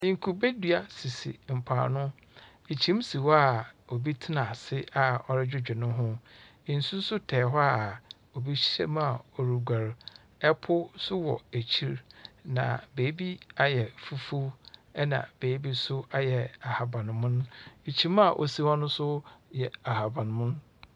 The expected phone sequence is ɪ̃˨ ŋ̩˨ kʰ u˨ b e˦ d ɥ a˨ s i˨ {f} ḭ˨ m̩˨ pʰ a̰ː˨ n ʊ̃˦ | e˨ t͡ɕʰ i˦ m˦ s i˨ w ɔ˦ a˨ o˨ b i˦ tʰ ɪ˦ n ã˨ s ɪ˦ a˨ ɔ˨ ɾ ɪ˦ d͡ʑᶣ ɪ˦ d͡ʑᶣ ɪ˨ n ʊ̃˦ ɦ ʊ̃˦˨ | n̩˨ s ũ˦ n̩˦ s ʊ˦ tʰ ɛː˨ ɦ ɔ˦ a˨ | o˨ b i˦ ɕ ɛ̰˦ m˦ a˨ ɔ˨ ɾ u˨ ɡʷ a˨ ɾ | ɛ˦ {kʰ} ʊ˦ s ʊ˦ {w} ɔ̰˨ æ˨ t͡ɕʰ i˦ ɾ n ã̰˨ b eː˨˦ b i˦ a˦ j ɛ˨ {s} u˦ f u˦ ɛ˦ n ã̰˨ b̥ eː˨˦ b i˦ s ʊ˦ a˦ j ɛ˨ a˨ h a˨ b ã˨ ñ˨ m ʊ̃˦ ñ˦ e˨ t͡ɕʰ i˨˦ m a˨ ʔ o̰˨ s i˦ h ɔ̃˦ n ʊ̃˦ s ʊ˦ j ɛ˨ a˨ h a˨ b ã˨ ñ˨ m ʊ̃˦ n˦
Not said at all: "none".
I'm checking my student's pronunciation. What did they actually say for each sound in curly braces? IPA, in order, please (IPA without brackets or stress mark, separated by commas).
s, pʰ, w, f